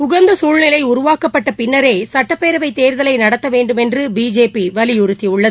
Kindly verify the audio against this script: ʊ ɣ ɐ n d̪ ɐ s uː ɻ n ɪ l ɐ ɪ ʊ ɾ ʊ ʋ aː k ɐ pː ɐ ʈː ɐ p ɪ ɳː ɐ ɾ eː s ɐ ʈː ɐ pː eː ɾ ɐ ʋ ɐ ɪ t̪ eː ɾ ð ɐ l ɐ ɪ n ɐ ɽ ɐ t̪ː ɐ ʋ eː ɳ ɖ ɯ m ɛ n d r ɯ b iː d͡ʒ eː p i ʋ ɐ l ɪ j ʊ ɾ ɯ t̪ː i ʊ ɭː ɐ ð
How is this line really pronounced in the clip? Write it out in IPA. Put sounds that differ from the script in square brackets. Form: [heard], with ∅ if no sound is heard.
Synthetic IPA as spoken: ʊ ɣ ɐ n d̪ ɐ s uː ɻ n ɪ l ɐ ɪ ʊ ɾ ʊ ʋ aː k ɐ pː ɐ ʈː ɐ p ɪ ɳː ɐ ɾ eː s ɐ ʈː ɐ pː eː ɾ ɐ ʋ ɐ ɪ t̪ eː ɾ ð ɐ l ɐ ɪ n ɐ ɽ ɐ t̪ː ɐ ʋ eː ɳ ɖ ɯ m ɛ n d r ɯ b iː d͡ʒ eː p i ʋ ɐ l ɪ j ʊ ɾ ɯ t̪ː i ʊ ɭː ɐ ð